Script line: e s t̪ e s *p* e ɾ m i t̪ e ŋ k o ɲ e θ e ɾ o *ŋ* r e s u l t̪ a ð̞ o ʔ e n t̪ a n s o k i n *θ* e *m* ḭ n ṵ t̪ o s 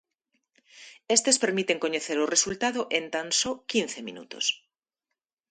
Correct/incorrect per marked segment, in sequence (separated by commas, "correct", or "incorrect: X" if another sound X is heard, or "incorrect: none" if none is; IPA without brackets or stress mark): correct, incorrect: none, correct, correct